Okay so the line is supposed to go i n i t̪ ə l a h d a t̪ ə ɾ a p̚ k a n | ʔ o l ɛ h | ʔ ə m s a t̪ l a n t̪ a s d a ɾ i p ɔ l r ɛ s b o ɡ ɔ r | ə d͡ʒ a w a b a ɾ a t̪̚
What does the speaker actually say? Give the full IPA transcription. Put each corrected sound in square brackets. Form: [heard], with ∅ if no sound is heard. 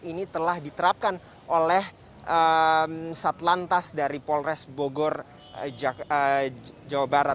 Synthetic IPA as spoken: i n i t̪ ə l a h d [i] t̪ ə ɾ a p̚ k a n | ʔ o l ɛ h | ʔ ə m s a t̪ l a n t̪ a s d a ɾ i p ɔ l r ɛ s b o ɡ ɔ r | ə d͡ʒ a w a b a ɾ a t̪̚

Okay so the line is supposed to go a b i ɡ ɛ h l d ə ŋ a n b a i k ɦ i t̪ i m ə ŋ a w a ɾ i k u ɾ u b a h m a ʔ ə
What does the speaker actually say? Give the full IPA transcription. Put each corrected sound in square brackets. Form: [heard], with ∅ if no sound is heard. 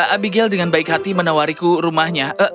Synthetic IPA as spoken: a b i ɡ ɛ [∅] l d ə ŋ a n b a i k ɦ [a] t̪ i m ə [n] a w a ɾ i k u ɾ u [m] a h [ɲ] a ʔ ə

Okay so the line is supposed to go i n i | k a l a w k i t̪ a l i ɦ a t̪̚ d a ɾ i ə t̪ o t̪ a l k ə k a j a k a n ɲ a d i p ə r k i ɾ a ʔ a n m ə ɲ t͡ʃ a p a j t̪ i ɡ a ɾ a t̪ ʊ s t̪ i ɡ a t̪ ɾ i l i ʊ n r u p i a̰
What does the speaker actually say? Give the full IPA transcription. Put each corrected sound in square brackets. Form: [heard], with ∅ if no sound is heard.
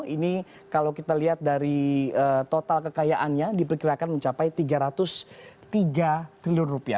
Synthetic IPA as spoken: i n i | k a l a w k i t̪ a l i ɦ a t̪̚ d a ɾ i ə t̪ o t̪ a l k ə k a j a [ʔ] a n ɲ a d i p ə r k i ɾ a [k] a n m ə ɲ t͡ʃ a p a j t̪ i ɡ a ɾ a t̪ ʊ s t̪ i ɡ a t̪ ɾ i l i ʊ n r u p i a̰

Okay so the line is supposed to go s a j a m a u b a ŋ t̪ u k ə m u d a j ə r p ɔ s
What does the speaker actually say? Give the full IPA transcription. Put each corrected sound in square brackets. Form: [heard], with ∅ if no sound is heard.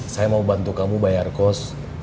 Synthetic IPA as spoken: s a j a m a u b a [n] t̪ u k [a] m u [b] a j [a] r [k] ɔ s

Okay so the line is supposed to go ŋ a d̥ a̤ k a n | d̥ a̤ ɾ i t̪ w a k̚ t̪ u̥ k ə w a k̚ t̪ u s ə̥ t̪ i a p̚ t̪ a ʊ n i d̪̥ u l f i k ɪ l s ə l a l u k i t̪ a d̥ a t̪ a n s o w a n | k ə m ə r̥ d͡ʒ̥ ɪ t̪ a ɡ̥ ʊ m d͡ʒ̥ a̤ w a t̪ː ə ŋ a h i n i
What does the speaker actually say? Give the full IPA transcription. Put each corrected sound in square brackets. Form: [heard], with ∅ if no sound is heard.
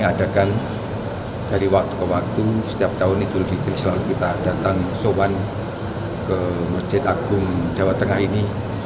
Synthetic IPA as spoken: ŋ a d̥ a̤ k a n | d̥ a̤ ɾ i [∅] w a k̚ t̪ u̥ k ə w a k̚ t̪ u s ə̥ t̪ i a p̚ t̪ a ʊ n i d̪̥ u l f i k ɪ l s ə l a l u k i t̪ a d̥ a t̪ a [ŋ] s o w a n | k ə m ə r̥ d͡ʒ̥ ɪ t̪ a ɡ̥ ʊ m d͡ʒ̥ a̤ w a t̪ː ə ŋ a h i n i

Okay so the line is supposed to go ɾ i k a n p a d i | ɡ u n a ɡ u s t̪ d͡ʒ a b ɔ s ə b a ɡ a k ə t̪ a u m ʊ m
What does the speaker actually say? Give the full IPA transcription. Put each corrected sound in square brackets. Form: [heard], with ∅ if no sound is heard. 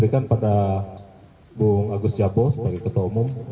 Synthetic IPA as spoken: ɾ i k a n p a d [a] | [b] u [ŋ] a ɡ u s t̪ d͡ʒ a b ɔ s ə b a ɡ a k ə t̪ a u m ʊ m

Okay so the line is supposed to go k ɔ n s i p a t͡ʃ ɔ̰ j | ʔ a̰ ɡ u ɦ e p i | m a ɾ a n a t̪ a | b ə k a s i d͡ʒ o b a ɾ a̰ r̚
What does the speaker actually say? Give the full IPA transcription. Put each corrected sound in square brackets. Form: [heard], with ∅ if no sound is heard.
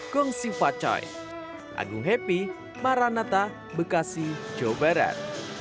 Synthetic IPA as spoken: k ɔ [ŋ] s i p a t͡ʃ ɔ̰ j | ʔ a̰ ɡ u ɦ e p i | m a ɾ a n a t̪ a | b ə k a s i d͡ʒ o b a ɾ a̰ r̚

